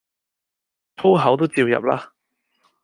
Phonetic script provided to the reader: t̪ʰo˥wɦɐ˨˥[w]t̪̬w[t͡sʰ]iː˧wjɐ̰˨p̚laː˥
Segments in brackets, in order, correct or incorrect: correct, incorrect

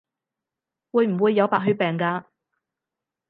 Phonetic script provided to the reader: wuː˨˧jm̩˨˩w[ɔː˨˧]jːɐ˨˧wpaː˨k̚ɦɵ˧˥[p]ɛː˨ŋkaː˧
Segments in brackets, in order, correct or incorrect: incorrect, correct

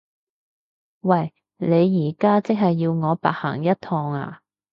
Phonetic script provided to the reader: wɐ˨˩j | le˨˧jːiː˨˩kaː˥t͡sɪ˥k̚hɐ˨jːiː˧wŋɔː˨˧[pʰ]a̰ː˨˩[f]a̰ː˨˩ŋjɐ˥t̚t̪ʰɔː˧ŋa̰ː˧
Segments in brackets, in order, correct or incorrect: incorrect, incorrect

